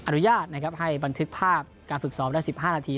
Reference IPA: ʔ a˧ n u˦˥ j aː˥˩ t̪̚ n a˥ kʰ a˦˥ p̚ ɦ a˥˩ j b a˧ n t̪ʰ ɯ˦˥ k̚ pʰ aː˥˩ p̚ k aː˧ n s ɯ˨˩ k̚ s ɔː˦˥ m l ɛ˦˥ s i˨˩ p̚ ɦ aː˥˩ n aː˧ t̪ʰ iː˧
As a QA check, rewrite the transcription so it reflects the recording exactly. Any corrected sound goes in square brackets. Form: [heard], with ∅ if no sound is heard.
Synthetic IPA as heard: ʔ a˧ n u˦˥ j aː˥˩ t̪̚ n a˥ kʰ a˦˥ p̚ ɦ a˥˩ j b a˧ n t̪ʰ ɯ˦˥ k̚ pʰ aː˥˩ p̚ k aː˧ n [f] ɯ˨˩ k̚ s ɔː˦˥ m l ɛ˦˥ s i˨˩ p̚ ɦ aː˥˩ n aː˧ t̪ʰ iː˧